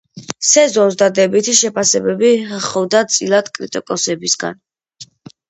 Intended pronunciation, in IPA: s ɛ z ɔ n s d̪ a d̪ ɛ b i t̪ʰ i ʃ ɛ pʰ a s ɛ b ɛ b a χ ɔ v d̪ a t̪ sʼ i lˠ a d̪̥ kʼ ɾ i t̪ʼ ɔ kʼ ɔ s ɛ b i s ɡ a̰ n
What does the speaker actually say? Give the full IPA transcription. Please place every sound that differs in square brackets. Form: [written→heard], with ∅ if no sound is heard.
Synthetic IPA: s ɛ z ɔ n s d̪ a d̪ ɛ b i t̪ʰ i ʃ ɛ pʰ a s ɛ b ɛ b [a→i] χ ɔ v d̪ a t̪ sʼ i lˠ a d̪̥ kʼ ɾ i t̪ʼ ɔ kʼ ɔ s ɛ b i s ɡ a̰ n